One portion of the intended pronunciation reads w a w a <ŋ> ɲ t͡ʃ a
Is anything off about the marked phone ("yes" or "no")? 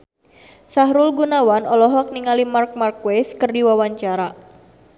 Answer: yes